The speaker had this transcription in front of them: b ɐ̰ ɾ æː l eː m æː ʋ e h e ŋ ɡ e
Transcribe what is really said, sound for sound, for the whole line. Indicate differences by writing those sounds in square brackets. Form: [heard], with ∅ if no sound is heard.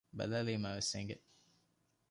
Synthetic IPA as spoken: b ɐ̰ [l] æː l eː m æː ʋ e [s] e ŋ ɡ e

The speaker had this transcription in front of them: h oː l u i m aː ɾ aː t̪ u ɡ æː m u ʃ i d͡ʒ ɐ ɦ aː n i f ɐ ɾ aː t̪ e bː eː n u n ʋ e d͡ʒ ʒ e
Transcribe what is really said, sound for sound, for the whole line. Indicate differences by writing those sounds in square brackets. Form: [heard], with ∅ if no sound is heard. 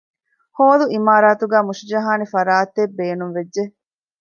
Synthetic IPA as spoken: h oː l u i m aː ɾ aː t̪ u ɡ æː m u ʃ i d͡ʒ ɐ ɦ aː n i f ɐ ɾ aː t̪ e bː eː n u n ʋ e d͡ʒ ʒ e

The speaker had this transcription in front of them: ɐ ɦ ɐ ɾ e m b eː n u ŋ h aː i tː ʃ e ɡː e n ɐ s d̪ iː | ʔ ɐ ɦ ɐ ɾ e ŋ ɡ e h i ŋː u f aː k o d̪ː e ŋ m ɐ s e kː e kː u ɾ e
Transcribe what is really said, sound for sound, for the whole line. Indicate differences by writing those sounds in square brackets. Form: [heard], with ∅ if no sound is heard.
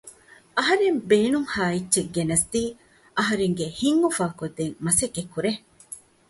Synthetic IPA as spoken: ɐ ɦ ɐ ɾ e m b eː n u ŋ h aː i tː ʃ e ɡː e n ɐ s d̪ iː | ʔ ɐ ɦ ɐ ɾ e ŋ ɡ e h i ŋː u f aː k o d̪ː e ŋ m ɐ s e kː e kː u ɾ e

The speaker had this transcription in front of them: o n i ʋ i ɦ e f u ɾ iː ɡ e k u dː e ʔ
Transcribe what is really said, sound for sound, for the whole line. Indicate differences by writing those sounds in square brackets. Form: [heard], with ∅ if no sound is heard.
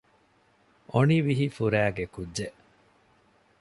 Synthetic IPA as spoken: o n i ʋ i ɦ [i] f u ɾ [æː] ɡ e k u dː e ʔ

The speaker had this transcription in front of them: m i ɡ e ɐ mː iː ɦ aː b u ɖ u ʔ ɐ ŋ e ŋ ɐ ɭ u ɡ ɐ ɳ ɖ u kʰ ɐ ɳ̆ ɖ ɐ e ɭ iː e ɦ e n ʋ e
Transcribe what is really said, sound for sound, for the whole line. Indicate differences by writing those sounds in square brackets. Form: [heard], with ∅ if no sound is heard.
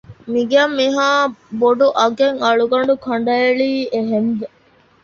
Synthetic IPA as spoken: m i ɡ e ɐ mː [i] ɦ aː b [o] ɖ u ʔ ɐ [ɡ] e ŋ ɐ ɭ u ɡ ɐ ɳ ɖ u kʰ ɐ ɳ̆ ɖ ɐ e ɭ iː e ɦ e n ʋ e

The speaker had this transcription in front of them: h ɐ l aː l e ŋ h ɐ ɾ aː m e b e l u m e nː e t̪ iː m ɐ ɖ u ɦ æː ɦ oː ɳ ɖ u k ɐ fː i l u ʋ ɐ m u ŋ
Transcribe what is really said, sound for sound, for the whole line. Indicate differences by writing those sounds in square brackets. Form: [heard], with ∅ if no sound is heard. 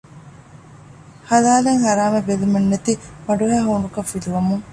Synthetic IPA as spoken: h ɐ l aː l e ŋ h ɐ ɾ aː m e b e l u m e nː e t̪ [i] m ɐ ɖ u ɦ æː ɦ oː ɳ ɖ u k ɐ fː i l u ʋ ɐ m u ŋ

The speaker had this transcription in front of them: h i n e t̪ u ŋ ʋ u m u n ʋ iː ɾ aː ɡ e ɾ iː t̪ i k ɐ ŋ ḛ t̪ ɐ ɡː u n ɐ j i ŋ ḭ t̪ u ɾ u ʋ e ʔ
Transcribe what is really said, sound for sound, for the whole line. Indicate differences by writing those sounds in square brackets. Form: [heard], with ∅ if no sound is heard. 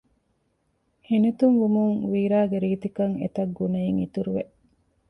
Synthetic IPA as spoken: h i n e t̪ u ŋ ʋ u m u [ŋ] ʋ iː ɾ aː ɡ e ɾ iː t̪ i k ɐ ŋ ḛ t̪ ɐ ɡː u n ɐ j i ŋ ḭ t̪ u ɾ u ʋ e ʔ

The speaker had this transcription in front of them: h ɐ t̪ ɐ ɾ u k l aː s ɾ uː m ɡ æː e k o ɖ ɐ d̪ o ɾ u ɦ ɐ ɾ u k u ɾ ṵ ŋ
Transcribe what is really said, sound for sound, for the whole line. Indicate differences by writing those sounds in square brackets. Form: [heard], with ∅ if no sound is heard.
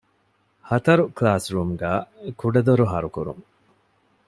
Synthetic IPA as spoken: h ɐ t̪ ɐ ɾ u k l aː s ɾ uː m ɡ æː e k [u] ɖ ɐ d̪ o ɾ u ɦ ɐ ɾ u k u ɾ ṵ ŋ

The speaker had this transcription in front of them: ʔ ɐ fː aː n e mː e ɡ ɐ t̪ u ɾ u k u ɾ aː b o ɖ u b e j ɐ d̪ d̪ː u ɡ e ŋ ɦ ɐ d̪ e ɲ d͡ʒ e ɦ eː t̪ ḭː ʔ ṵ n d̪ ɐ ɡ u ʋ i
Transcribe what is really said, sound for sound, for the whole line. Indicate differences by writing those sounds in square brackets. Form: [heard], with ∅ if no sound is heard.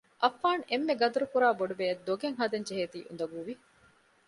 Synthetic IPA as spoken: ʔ ɐ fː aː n e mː e ɡ ɐ [d̪] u ɾ u k u ɾ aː b o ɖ u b e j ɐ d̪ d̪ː [o] ɡ e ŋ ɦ ɐ d̪ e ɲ d͡ʒ e ɦ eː t̪ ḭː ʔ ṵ n d̪ ɐ ɡ u ʋ i

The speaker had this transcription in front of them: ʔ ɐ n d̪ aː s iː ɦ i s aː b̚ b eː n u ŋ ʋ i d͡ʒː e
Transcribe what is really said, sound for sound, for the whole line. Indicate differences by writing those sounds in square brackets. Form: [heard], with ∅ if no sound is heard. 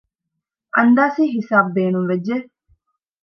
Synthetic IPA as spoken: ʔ ɐ n d̪ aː s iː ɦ i s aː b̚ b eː n u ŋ ʋ [e] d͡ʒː e

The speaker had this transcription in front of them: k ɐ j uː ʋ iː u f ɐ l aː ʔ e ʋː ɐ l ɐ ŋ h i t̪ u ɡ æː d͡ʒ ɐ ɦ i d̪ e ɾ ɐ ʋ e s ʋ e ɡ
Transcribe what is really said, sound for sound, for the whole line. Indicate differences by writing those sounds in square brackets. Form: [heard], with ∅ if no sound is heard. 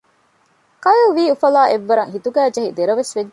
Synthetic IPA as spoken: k ɐ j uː ʋ iː u f ɐ l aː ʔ e ʋː ɐ [ɾ] ɐ ŋ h i t̪ u ɡ æː d͡ʒ ɐ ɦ i d̪ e ɾ ɐ ʋ e s ʋ e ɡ

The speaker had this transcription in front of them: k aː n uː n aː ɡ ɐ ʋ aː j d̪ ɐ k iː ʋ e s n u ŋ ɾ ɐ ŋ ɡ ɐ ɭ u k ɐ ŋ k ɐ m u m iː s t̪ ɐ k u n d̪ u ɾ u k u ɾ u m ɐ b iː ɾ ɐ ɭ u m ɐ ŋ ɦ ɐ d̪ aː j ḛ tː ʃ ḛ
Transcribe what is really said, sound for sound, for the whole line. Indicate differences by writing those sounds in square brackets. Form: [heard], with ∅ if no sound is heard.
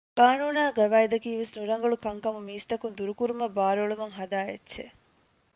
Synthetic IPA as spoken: k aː n uː n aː ɡ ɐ ʋ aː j d̪ ɐ k iː ʋ e s n u [∅] ɾ ɐ ŋ ɡ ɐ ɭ u k ɐ ŋ k ɐ m u m iː s t̪ ɐ k u n d̪ u ɾ u k u ɾ u m ɐ b [aː] ɾ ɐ ɭ u m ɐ ŋ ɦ ɐ d̪ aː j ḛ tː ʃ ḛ

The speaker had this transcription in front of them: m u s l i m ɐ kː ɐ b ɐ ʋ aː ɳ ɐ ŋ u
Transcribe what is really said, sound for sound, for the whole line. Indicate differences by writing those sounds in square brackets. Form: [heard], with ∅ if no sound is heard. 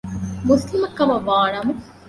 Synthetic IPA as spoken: m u s l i m ɐ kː ɐ [m] ɐ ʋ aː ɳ ɐ [m] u

